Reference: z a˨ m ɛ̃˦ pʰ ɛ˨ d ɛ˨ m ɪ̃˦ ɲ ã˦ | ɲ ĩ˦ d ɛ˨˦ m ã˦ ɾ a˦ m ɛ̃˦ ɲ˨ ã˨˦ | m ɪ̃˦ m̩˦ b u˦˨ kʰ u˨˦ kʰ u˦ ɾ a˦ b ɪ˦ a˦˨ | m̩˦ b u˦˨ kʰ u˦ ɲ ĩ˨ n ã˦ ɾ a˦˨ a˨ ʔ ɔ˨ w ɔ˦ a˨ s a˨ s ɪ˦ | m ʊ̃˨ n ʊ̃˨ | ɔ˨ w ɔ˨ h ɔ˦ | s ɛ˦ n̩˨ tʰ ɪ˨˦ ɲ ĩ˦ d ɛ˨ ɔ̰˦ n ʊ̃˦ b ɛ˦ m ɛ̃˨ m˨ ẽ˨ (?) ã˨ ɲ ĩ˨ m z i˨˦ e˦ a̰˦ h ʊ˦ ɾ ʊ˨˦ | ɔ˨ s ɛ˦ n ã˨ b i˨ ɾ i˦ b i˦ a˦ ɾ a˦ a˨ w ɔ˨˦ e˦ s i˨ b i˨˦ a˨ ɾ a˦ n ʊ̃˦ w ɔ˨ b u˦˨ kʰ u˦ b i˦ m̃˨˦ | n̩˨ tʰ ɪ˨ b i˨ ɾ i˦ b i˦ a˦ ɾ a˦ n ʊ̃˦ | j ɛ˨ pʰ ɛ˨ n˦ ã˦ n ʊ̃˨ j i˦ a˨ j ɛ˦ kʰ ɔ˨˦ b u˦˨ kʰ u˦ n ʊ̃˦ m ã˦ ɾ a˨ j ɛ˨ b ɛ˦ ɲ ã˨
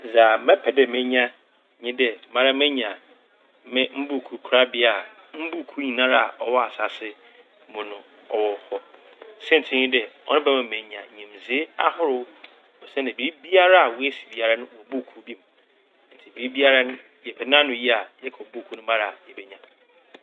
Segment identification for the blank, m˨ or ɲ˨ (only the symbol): ɲ˨